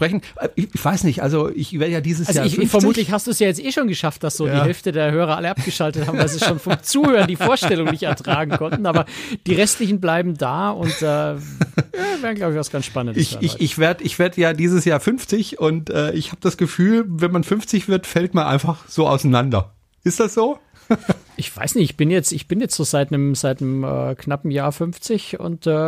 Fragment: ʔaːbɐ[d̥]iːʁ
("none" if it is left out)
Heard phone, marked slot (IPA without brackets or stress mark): d̥